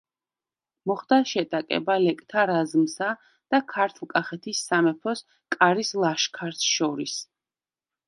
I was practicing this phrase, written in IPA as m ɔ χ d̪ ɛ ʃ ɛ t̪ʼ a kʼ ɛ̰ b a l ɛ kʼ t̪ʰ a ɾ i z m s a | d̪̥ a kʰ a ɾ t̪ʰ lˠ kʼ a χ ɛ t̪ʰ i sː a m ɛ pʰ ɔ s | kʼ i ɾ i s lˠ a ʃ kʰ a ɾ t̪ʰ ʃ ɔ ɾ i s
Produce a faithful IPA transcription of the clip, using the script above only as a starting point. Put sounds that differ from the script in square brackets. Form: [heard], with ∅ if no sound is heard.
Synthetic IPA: m ɔ χ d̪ [a] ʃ ɛ t̪ʼ a kʼ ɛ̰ b a l ɛ kʼ t̪ʰ a ɾ [a] z m s a | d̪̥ a kʰ a ɾ t̪ʰ lˠ kʼ a χ ɛ t̪ʰ i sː a m ɛ pʰ ɔ s | kʼ [a] ɾ i s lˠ a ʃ kʰ a ɾ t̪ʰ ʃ ɔ ɾ i s